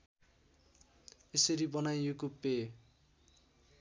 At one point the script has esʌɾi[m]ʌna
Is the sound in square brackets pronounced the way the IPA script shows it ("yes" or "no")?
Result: no